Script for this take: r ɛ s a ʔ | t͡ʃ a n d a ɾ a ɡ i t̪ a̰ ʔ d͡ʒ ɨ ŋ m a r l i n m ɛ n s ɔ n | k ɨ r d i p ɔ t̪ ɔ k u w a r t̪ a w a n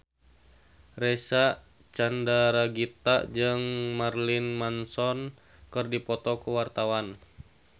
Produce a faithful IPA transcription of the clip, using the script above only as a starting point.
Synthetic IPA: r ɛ s a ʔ | t͡ʃ a n d a ɾ a ɡ i t̪ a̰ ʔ d͡ʒ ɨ ŋ m a r l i n m a n s ɔ n | k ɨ r d i p ɔ t̪ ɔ k u w a r t̪ a w a n